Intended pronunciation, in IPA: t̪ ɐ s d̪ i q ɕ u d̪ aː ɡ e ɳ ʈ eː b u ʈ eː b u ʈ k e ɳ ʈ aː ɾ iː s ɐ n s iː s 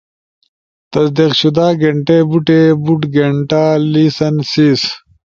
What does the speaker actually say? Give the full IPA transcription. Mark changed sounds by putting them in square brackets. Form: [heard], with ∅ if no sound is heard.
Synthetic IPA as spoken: t̪ ɐ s d̪ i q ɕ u d̪ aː ɡ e ɳ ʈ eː b u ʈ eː b u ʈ [ɡ] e ɳ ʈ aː [l] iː s ɐ n s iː s

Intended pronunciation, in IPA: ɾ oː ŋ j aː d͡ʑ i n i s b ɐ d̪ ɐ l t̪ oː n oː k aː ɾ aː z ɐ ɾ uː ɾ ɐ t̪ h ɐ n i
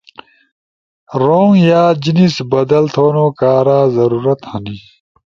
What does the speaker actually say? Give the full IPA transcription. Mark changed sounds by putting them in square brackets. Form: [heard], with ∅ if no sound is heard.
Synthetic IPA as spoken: ɾ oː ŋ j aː d͡ʑ i n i s b ɐ d̪ ɐ l [t̪ʰ] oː n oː k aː ɾ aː z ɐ ɾ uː ɾ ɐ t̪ h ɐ n i

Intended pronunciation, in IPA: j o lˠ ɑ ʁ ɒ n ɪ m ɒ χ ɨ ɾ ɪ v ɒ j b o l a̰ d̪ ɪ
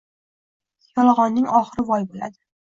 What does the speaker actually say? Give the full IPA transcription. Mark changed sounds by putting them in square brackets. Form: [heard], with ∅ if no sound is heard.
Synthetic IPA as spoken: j [ɒ] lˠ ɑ ʁ ɒ [nː] ɪ [ŋ] ɒ χ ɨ ɾ ɪ v ɒ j b o l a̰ d̪ ɪ

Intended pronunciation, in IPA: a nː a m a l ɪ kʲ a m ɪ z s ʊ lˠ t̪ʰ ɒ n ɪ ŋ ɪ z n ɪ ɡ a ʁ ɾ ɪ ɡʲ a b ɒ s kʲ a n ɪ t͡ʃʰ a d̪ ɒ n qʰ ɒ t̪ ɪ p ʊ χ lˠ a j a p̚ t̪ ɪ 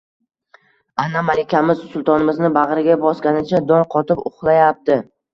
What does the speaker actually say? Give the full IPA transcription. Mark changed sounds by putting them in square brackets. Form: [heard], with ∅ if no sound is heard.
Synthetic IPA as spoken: a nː a m a l ɪ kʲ a m ɪ z s ʊ lˠ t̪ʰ ɒ n ɪ [m] ɪ z n ɪ [b] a ʁ ɾ ɪ ɡʲ a b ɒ s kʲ a n ɪ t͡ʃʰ a d̪ ɒ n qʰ ɒ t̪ ɪ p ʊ χ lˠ a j a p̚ t̪ ɪ

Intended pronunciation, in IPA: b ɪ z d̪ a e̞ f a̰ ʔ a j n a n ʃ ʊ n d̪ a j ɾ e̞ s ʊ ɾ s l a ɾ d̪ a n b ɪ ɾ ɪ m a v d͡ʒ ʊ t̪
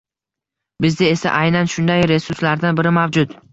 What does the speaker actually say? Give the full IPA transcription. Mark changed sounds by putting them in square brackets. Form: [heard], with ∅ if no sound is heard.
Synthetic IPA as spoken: b ɪ z d̪ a e̞ [s] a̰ ʔ a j n a n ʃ ʊ n d̪ a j ɾ e̞ s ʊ ɾ s l a ɾ d̪ a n b ɪ ɾ ɪ m a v d͡ʒ ʊ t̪

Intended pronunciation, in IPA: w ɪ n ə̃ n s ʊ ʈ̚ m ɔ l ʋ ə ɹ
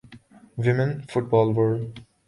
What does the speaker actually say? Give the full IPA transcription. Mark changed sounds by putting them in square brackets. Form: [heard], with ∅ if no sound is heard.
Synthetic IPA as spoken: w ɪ [m] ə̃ n [f] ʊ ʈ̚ [b] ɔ l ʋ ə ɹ

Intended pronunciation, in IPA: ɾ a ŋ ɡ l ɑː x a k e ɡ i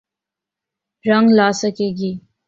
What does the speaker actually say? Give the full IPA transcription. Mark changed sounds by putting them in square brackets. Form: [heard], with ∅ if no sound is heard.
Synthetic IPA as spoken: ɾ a ŋ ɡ l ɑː [s] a k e ɡ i

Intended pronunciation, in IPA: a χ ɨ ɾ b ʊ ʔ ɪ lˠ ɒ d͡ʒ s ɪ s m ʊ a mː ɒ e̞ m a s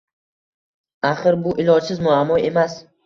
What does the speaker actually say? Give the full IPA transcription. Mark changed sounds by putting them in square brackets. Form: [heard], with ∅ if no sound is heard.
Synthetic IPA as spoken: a χ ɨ ɾ b ʊ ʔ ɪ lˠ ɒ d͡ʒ s ɪ [z] m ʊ a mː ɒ e̞ m a s

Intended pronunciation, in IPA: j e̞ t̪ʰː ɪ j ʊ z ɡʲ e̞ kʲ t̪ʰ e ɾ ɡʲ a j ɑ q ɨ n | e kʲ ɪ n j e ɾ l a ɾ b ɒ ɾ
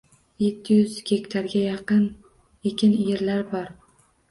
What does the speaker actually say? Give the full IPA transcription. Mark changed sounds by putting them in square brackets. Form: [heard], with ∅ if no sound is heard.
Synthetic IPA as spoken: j e̞ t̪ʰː ɪ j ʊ z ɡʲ e̞ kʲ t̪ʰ [a] ɾ ɡʲ a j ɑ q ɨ n | e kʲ ɪ n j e ɾ l a ɾ b ɒ ɾ

